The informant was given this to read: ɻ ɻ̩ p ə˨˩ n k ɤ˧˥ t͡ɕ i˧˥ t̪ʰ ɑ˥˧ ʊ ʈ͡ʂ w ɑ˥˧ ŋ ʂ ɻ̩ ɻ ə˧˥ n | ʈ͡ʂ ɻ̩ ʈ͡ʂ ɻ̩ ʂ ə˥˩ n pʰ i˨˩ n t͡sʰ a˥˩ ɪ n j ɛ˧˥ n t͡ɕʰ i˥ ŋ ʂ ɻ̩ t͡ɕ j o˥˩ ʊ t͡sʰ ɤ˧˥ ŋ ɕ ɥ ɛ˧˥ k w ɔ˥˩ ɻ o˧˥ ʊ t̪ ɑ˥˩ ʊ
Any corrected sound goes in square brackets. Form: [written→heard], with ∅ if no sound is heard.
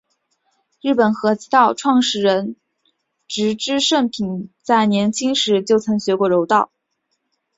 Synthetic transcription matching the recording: ɻ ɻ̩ p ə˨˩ n [k→x] ɤ˧˥ t͡ɕ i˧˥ [t̪ʰ→t̪] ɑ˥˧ ʊ [ʈ͡ʂ→ʈ͡ʂʰ] w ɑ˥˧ ŋ ʂ ɻ̩ ɻ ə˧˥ n | ʈ͡ʂ ɻ̩ ʈ͡ʂ ɻ̩ ʂ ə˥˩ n pʰ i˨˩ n [t͡sʰ→t͡s] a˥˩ ɪ n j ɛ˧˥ n t͡ɕʰ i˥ ŋ ʂ ɻ̩ t͡ɕ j o˥˩ ʊ t͡sʰ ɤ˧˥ ŋ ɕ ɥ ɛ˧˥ k w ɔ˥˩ ɻ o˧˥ ʊ t̪ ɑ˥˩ ʊ